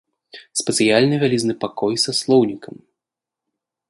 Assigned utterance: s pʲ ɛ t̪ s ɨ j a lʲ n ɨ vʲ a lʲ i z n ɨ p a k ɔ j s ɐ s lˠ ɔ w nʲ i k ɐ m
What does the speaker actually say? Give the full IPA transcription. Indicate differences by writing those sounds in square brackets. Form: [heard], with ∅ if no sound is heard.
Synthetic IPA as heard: s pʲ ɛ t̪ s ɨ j a lʲ n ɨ vʲ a lʲ i z n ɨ p a k ɔ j s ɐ s lˠ ɔ w nʲ i k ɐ m